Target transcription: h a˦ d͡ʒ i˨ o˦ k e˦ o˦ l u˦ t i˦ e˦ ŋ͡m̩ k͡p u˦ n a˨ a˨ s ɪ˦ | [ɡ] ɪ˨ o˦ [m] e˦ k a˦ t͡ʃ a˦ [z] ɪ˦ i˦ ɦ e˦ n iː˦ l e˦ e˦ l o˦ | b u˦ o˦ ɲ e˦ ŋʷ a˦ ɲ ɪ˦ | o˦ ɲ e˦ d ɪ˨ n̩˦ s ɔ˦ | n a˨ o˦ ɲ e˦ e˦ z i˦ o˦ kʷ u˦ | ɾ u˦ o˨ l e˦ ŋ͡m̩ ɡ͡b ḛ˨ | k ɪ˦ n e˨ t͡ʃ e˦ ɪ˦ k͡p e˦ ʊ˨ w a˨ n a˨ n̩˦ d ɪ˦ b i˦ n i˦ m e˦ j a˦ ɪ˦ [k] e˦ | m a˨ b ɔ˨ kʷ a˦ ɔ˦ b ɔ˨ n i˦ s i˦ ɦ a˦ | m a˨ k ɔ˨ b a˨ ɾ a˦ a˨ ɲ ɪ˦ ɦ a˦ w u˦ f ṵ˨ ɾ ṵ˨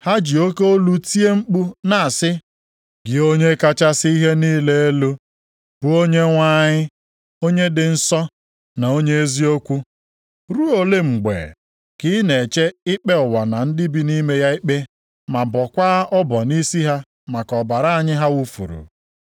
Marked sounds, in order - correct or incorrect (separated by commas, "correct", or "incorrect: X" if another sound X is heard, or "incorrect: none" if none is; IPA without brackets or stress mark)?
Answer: correct, incorrect: ɲ, incorrect: s, incorrect: k͡p